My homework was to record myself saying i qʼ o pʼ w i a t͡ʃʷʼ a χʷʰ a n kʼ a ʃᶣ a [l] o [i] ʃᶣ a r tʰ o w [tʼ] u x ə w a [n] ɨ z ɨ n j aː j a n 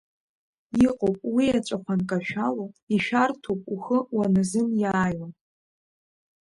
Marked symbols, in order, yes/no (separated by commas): yes, yes, no, yes